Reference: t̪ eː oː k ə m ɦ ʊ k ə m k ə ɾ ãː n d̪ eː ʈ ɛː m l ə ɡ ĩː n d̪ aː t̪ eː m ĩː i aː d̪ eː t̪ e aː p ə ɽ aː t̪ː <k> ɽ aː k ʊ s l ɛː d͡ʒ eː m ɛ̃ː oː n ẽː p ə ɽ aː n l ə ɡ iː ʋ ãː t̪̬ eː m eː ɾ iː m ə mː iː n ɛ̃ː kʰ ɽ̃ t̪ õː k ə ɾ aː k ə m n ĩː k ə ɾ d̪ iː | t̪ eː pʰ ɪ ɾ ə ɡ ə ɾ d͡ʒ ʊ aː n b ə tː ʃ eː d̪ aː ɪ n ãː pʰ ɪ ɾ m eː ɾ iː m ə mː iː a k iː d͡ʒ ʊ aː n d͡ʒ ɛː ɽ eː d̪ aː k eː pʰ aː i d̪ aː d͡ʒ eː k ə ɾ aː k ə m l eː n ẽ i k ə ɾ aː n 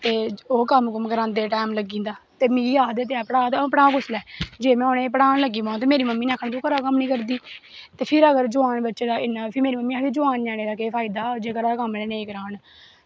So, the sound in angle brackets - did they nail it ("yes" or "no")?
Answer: no